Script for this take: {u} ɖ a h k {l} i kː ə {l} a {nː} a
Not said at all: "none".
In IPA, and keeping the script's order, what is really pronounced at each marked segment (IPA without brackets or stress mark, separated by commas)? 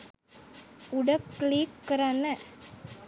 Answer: u, l, ɾ, n